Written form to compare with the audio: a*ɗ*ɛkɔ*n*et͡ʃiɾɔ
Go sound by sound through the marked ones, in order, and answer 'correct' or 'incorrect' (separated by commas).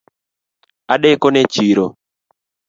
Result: correct, correct